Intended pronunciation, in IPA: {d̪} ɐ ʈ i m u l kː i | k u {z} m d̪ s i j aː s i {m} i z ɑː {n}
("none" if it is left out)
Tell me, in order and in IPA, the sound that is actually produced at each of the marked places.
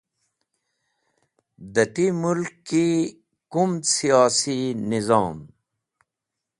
d̪, none, n, m

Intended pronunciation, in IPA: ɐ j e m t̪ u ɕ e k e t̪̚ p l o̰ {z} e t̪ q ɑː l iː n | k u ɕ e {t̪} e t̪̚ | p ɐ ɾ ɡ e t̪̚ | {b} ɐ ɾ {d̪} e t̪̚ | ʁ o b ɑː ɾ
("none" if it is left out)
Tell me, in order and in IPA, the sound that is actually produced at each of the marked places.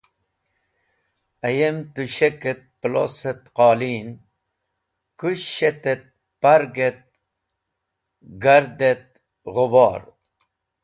s, t̪, ɡ, d̪

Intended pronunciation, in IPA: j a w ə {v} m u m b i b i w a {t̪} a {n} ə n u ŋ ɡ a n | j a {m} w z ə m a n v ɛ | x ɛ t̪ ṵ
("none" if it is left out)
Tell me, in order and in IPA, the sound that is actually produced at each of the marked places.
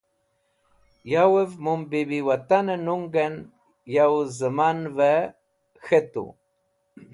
v, t̪, n, none

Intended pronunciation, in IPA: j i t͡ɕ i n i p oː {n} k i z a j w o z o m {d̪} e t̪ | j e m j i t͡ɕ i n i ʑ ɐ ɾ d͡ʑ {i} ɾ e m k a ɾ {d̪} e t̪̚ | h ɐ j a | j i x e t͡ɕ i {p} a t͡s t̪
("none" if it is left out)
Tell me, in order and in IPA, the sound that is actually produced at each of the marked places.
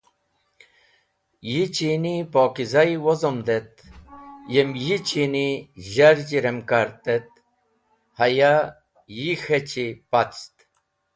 none, d̪, i, t̪, p

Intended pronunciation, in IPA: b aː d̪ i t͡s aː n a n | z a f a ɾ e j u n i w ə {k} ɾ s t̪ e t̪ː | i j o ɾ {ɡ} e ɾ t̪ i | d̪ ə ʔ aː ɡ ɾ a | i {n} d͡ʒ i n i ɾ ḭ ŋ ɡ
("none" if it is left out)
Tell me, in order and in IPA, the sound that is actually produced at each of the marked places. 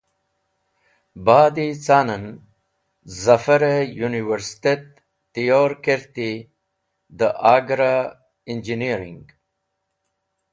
none, k, n

